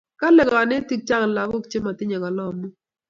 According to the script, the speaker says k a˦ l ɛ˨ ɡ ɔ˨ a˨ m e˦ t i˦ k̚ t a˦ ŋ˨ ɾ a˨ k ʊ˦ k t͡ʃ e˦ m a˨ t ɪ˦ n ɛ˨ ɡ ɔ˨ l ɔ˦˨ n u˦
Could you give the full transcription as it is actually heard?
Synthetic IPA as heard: k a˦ l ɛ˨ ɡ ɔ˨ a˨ n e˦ t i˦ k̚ t͡ʃ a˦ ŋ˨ l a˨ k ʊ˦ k t͡ʃ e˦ m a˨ t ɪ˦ ɲ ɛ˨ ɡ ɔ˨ l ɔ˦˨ m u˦